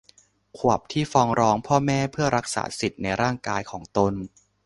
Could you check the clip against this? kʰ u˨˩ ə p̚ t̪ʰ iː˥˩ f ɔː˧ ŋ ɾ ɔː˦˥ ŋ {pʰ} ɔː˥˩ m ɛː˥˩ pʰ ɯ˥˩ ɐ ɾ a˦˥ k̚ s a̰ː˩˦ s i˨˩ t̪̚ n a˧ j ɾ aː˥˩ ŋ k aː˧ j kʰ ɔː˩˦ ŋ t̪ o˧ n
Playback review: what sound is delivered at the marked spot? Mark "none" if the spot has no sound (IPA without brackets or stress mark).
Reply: pʰ